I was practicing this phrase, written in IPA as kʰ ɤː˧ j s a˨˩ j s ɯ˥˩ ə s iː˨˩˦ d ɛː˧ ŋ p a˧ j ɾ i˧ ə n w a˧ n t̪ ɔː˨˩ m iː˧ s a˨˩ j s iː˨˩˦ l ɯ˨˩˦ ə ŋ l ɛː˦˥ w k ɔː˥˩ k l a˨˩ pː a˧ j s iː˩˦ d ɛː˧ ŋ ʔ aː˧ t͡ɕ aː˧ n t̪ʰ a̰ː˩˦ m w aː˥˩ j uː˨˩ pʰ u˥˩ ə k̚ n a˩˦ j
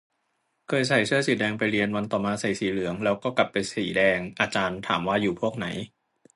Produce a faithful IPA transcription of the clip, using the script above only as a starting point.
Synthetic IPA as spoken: kʰ ɤː˧ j s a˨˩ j s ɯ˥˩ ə s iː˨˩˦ d ɛː˧ ŋ p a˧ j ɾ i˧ ə n w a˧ n t̪ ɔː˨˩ m aː˧ s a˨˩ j s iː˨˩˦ l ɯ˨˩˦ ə ŋ l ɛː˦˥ w k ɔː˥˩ k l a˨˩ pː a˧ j s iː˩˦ d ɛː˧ ŋ ʔ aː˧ t͡ɕ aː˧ n t̪ʰ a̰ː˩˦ m w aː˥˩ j uː˨˩ pʰ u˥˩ ə k̚ n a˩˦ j